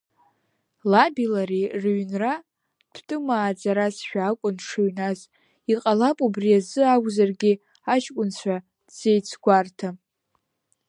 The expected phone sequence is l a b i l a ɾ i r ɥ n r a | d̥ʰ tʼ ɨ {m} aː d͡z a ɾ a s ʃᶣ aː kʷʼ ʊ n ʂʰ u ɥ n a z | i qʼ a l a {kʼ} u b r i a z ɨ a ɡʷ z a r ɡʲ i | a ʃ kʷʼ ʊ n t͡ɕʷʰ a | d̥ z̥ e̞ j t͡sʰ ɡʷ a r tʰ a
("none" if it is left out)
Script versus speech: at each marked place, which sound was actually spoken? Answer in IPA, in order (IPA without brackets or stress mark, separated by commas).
m, pʼ